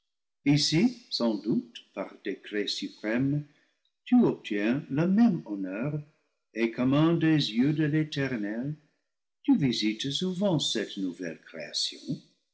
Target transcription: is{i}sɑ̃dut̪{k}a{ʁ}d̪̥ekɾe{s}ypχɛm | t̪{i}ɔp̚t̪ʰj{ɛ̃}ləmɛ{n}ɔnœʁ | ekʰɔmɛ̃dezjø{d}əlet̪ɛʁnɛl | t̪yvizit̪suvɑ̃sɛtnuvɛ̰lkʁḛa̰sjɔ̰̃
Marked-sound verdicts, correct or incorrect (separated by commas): correct, incorrect, correct, correct, incorrect, correct, incorrect, correct